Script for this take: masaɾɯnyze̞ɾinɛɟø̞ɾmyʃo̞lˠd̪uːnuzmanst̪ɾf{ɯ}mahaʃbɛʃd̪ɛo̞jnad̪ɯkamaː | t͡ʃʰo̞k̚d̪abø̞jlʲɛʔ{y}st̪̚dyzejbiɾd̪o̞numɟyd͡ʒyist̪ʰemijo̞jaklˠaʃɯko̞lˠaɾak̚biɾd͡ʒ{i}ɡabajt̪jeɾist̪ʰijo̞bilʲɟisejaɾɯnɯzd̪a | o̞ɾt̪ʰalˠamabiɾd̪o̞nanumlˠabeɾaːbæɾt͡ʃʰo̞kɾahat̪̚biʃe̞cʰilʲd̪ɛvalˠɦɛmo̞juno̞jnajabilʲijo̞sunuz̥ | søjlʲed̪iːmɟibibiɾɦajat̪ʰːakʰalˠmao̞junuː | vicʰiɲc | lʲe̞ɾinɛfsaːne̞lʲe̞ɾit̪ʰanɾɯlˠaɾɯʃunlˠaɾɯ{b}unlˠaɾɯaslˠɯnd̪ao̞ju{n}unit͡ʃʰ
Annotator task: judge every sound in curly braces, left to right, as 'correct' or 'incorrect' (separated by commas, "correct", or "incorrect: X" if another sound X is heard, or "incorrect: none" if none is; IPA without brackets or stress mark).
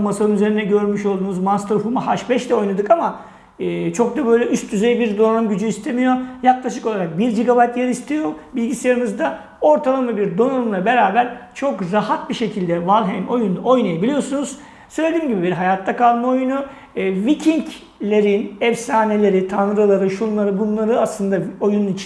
incorrect: u, correct, correct, correct, correct